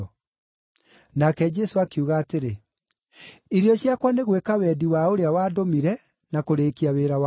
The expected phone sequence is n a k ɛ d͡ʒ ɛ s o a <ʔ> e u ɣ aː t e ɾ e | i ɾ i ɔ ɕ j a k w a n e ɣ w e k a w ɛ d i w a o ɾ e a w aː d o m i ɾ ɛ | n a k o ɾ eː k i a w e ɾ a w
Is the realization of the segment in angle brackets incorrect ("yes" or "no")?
yes